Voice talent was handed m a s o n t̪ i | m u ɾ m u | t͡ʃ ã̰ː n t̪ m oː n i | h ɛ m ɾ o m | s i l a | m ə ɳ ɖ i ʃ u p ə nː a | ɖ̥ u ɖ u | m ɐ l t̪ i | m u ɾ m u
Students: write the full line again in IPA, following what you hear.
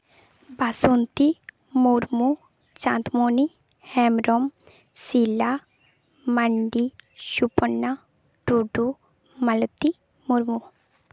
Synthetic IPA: b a s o n t̪ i | m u ɾ m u | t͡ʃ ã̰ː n t̪ m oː n i | h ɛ m ɾ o m | s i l a | m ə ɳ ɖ i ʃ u p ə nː a | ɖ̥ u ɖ u | m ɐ l t̪ i | m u ɾ m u